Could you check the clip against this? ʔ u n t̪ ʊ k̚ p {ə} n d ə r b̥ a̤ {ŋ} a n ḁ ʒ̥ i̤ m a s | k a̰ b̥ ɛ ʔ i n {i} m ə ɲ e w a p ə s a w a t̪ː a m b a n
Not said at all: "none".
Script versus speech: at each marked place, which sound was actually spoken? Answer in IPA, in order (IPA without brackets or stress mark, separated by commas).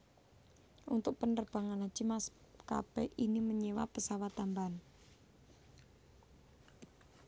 ə, ŋ, i